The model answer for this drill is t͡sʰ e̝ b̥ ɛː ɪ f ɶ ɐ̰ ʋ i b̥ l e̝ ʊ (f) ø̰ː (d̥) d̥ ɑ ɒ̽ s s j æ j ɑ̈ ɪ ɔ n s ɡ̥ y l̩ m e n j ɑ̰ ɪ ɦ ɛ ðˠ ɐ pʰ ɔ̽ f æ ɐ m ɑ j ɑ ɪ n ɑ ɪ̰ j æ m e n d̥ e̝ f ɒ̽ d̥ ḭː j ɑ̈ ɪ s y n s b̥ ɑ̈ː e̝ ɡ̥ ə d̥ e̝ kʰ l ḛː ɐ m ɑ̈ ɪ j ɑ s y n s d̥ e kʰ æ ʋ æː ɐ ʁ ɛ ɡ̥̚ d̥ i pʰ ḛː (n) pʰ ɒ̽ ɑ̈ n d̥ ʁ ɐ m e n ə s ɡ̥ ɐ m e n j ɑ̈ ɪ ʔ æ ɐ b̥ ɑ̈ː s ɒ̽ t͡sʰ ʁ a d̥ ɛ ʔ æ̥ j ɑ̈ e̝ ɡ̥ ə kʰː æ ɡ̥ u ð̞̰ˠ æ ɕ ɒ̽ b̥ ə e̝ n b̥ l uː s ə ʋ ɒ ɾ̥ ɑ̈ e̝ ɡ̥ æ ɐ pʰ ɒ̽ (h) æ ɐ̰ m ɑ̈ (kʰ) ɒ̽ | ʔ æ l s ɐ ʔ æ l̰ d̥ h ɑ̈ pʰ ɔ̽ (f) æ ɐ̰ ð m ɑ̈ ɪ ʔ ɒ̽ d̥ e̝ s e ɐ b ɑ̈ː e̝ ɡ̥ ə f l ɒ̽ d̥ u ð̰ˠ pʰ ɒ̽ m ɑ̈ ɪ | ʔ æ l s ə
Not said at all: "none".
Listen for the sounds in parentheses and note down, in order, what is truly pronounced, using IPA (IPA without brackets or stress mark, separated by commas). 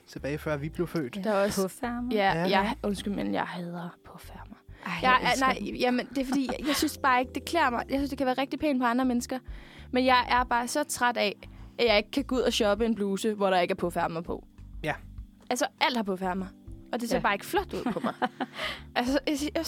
f, d̥, n, f, pʰ, f